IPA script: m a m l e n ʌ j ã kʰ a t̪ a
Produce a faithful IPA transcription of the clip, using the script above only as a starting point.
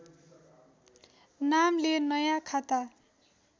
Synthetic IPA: n a m l e n ʌ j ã kʰ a t̪ a